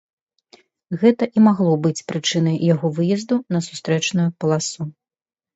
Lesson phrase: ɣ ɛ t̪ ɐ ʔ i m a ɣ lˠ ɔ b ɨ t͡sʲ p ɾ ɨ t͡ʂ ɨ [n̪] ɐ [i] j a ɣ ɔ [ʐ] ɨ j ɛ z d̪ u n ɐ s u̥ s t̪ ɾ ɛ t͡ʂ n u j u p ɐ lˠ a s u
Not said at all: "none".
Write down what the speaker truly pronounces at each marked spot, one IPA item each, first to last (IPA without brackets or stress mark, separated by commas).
n̪, j, v